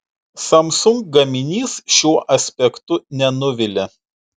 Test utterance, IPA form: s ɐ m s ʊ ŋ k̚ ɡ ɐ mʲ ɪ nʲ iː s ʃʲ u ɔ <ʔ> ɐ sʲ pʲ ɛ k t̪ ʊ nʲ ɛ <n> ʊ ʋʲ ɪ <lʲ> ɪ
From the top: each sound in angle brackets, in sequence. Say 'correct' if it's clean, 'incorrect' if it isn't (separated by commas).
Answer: correct, correct, correct